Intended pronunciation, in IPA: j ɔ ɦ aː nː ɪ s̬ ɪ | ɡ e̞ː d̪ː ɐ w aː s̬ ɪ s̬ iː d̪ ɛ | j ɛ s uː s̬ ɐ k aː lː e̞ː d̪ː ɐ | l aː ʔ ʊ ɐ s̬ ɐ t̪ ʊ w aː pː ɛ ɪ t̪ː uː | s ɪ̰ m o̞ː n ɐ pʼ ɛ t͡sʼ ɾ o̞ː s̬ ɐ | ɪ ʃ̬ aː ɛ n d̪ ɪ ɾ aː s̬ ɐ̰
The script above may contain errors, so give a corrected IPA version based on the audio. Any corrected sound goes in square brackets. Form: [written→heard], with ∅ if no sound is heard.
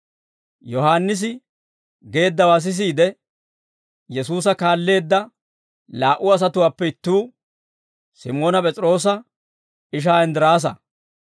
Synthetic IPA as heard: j ɔ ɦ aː nː ɪ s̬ ɪ | ɡ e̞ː d̪ː ɐ w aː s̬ ɪ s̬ iː d̪ ɛ | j ɛ s uː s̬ ɐ k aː lː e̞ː d̪ː ɐ | l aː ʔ ʊ ɐ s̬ ɐ t̪ ʊ w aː pː ɛ ɪ t̪ː uː | s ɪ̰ m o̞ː n ɐ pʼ ɛ t͡sʼ ɾ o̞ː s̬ ɐ | ɪ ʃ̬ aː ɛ n d̪ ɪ ɾ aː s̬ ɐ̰